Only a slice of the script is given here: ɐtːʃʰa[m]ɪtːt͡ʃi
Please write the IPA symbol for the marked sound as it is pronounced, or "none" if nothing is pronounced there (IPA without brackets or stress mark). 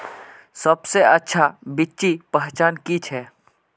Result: b